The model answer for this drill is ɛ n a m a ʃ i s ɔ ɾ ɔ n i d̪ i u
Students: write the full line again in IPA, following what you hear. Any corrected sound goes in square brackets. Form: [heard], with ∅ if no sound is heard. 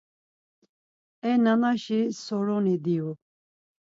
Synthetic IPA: ɛ n a [n] a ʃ i s ɔ ɾ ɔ n i d̪ i u